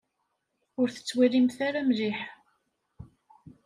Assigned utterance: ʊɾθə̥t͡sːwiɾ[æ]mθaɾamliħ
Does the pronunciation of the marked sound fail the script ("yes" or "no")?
yes